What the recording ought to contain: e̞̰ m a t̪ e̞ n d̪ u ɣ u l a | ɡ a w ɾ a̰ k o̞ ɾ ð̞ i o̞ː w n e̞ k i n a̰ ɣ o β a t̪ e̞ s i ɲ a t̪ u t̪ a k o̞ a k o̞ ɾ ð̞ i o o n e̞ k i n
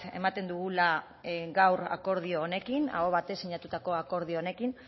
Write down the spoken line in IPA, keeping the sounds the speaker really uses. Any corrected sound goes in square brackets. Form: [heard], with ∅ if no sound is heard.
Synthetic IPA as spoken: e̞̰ m a t̪ e̞ n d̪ u ɣ u l a | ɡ a w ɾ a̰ k o̞ ɾ ð̞ i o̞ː [∅] n e̞ k i n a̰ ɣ o β a t̪ e̞ s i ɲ a t̪ u t̪ a k o̞ a k o̞ ɾ ð̞ i o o n e̞ k i n